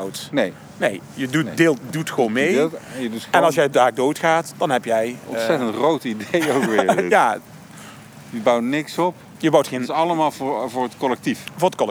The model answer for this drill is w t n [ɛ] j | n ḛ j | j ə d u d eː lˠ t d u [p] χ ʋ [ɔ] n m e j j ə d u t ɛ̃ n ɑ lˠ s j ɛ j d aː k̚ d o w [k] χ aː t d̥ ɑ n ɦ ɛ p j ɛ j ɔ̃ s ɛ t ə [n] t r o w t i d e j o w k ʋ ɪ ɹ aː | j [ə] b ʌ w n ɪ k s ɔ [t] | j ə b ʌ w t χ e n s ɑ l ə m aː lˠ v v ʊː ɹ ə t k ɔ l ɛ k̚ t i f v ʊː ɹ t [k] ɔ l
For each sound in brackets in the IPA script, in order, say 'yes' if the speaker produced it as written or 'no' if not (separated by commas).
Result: no, no, no, no, yes, yes, no, yes